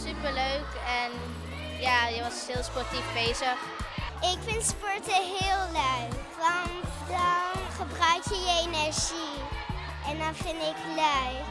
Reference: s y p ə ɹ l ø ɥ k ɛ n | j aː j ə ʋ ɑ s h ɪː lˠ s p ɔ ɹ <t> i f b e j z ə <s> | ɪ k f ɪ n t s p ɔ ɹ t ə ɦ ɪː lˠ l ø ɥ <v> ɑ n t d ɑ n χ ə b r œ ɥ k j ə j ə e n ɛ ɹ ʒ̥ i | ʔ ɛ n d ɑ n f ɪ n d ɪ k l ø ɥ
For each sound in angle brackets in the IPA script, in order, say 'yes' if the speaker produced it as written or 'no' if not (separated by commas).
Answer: yes, no, no